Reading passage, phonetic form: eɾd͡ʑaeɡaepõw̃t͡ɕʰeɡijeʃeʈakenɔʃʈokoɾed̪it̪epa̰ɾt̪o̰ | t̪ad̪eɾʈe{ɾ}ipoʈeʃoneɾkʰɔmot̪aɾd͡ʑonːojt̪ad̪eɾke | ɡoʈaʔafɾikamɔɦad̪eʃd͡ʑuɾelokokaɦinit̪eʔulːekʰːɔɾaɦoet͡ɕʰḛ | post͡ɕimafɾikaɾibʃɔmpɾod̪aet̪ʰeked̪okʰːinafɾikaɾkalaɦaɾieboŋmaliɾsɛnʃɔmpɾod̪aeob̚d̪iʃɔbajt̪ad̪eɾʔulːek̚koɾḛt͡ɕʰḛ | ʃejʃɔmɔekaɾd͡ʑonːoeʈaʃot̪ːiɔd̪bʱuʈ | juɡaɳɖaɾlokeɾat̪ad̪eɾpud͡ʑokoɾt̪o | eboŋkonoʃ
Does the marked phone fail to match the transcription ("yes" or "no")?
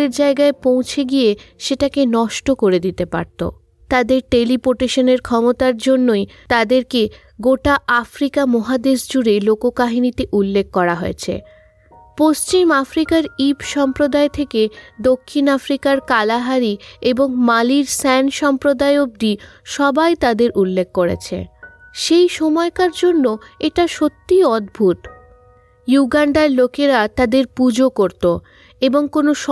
yes